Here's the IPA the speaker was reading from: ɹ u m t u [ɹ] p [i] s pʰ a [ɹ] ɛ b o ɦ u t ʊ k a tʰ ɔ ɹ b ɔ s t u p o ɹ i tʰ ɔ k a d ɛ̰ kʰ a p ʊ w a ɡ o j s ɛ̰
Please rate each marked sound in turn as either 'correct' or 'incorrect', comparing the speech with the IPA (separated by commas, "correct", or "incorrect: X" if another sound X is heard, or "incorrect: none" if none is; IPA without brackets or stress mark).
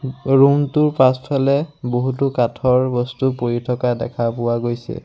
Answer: correct, incorrect: a, incorrect: l